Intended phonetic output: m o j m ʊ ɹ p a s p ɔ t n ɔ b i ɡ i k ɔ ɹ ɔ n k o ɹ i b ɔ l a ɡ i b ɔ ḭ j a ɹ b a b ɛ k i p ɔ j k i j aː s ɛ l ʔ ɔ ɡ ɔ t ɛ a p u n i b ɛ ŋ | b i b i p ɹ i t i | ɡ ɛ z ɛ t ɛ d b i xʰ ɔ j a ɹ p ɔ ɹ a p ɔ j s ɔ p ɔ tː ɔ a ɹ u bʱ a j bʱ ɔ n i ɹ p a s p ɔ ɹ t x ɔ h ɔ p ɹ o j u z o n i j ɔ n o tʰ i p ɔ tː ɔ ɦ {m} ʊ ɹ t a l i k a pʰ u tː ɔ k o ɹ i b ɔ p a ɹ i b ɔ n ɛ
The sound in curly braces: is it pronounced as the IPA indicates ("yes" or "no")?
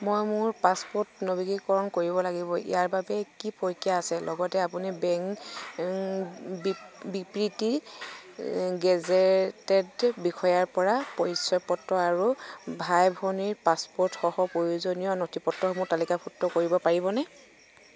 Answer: yes